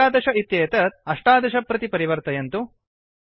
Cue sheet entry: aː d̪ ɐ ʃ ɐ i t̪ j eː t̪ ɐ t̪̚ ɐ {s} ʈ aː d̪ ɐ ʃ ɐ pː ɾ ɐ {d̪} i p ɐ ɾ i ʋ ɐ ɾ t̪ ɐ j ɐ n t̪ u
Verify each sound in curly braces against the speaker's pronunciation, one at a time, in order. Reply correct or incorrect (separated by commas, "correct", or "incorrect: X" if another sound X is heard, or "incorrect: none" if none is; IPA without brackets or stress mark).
incorrect: ʂ, incorrect: t̪